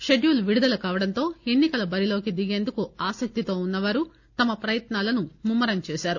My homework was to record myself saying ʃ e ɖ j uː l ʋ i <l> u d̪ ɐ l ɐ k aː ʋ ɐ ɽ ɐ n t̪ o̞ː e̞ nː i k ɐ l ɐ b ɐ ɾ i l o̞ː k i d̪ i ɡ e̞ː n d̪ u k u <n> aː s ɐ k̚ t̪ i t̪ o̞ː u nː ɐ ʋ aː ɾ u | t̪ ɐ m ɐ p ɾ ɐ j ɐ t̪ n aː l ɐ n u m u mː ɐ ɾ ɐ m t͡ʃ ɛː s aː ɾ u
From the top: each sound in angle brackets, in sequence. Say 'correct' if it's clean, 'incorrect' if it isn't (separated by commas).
incorrect, incorrect